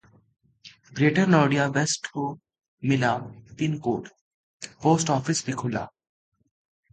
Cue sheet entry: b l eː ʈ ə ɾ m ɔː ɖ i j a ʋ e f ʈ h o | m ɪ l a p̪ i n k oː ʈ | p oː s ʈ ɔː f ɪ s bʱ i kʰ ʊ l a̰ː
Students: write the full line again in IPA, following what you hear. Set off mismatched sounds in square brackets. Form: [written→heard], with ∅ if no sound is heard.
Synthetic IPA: b [l→ɾ] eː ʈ ə ɾ [m→n] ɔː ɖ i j a ʋ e [f→s] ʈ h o | m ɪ l a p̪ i n k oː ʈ | p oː s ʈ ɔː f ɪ s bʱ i kʰ ʊ l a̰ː